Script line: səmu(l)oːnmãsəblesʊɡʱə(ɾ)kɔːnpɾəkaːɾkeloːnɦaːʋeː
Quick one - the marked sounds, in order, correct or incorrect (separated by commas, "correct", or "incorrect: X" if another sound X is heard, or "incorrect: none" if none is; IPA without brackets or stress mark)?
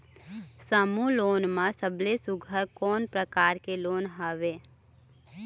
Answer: correct, correct